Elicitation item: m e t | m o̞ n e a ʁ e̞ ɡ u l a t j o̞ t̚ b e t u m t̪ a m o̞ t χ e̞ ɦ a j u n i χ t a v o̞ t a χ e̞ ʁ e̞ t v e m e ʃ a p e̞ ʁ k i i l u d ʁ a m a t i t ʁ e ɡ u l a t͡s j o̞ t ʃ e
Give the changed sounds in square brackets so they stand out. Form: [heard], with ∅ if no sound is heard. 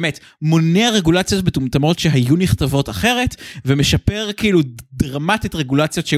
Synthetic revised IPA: m e t | m o̞ n e a ʁ e̞ ɡ u l a [t͡s] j o̞ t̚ b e t u m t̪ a m o̞ t [ʃ] e̞ ɦ a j u n i χ t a v o̞ t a χ e̞ ʁ e̞ t v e m e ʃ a p e̞ ʁ k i i l u d ʁ a m a t i t ʁ e ɡ u l a t͡s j o̞ t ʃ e